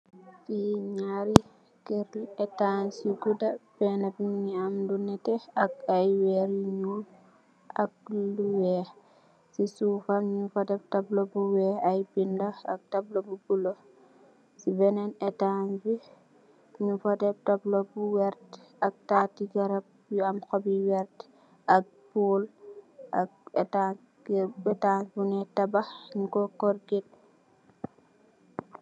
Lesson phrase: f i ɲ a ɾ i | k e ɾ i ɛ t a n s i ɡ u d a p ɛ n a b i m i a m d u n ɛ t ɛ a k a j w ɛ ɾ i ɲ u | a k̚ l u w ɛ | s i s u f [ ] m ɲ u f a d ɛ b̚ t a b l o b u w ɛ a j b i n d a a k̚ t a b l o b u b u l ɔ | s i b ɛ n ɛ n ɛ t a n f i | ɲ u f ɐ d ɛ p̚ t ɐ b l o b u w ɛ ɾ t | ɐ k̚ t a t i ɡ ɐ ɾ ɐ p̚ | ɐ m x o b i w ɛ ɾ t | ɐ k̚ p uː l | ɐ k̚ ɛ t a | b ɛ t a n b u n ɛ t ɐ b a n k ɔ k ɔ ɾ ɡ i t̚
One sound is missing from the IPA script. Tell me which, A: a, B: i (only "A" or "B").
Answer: A